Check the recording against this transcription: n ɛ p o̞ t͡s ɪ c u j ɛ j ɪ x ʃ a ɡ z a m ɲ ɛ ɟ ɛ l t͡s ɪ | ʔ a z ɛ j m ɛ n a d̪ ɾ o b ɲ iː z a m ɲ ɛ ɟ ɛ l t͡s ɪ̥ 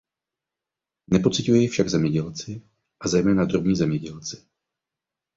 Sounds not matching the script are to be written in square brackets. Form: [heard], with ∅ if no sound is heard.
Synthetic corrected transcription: n ɛ p o̞ t͡s ɪ c u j ɛ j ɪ [f] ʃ a ɡ z [ɛ] m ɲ ɛ ɟ ɛ l t͡s ɪ | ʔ a z ɛ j m [ɛː] n a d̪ ɾ o b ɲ iː z [ɛ] m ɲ ɛ ɟ ɛ l t͡s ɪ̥